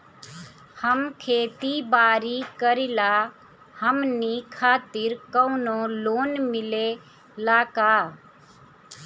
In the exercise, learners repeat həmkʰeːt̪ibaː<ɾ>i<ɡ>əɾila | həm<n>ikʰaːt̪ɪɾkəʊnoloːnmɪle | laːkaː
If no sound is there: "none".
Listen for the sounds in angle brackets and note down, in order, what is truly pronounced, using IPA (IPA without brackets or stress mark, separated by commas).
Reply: ɾ, k, n